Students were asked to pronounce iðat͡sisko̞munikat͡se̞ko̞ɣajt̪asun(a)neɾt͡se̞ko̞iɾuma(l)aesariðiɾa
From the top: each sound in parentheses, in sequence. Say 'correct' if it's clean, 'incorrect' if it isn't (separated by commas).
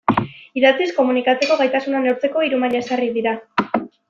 correct, incorrect